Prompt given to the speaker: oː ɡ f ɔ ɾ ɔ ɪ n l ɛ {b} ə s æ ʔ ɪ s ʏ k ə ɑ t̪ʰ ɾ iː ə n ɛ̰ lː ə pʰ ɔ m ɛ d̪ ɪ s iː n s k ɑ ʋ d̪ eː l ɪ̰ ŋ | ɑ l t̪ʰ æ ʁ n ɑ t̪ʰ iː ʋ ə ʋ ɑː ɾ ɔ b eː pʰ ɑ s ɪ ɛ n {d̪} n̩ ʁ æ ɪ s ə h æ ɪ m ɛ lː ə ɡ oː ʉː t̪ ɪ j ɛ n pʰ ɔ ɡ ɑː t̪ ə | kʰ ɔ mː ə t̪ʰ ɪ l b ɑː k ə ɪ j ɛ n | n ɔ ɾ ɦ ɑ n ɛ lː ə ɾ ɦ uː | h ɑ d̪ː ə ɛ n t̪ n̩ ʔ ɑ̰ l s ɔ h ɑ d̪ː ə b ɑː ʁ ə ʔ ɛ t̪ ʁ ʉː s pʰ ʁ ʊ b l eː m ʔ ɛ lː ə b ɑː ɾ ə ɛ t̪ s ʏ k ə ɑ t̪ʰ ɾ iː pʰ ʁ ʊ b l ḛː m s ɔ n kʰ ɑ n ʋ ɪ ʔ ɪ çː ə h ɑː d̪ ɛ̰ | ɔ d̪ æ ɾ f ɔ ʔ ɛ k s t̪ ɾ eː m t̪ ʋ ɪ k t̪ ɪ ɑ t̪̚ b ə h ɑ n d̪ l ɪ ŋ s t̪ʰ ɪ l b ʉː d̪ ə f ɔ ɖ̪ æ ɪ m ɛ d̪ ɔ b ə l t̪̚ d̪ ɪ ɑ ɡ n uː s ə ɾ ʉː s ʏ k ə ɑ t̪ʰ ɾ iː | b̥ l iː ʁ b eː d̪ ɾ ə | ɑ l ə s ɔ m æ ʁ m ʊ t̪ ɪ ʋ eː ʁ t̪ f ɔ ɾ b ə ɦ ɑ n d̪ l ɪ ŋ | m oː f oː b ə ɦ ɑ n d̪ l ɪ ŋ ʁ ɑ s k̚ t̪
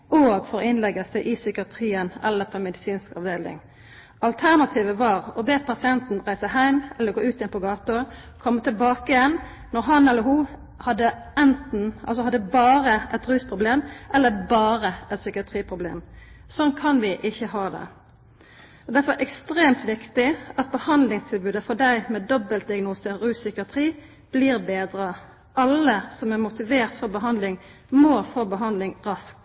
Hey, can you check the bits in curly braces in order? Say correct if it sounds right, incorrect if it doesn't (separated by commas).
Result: incorrect, incorrect